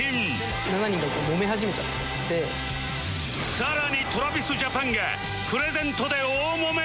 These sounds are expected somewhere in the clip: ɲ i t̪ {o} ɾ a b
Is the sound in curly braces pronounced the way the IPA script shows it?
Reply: yes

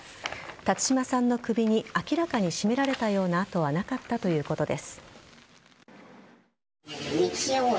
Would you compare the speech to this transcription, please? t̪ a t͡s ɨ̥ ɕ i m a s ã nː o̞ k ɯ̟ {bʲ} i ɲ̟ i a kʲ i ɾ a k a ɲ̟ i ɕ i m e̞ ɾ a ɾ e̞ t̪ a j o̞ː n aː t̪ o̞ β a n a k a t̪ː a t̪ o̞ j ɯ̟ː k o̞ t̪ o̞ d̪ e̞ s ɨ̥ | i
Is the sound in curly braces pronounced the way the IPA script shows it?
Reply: yes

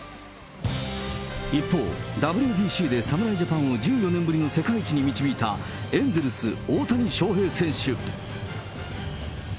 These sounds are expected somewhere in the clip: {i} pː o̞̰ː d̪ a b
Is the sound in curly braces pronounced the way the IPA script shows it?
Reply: yes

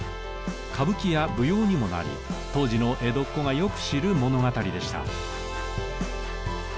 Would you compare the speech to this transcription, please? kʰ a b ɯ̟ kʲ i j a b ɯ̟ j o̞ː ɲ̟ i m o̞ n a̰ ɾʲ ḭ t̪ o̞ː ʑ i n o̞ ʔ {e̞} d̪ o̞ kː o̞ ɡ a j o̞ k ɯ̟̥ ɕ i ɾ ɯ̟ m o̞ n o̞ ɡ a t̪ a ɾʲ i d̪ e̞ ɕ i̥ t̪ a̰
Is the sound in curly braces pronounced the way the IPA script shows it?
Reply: yes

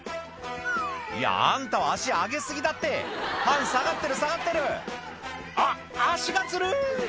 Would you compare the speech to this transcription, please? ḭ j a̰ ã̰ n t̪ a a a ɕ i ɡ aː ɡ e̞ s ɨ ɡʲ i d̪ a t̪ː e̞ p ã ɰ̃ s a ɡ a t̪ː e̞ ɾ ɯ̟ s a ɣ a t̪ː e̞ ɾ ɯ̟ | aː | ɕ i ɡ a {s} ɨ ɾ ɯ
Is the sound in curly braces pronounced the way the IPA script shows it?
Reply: no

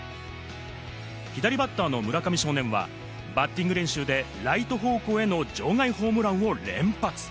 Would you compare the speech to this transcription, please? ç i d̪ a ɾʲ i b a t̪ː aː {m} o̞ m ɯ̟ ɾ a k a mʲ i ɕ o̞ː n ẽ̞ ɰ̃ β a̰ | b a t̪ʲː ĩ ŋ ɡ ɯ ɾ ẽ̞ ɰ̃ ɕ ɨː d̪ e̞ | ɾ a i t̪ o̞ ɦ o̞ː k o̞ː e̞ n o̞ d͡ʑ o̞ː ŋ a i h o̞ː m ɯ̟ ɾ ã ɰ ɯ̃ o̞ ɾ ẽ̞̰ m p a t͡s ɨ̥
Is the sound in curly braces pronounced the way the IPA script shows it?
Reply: no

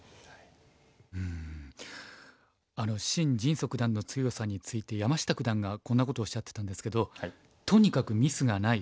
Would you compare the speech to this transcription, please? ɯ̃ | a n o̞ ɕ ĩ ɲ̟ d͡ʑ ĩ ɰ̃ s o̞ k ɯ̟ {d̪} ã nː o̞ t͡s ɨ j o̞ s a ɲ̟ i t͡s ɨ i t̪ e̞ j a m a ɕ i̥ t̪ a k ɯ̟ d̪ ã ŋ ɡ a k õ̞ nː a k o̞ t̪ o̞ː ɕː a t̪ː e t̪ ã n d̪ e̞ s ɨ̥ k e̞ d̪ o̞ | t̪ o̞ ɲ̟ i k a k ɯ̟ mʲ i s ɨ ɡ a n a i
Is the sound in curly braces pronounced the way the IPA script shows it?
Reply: yes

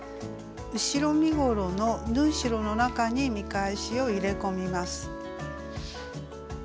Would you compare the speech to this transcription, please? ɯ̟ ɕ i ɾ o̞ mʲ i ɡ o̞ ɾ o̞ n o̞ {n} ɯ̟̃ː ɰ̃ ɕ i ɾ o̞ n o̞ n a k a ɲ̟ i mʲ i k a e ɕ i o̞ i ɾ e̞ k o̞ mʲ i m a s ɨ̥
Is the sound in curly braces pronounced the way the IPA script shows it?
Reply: yes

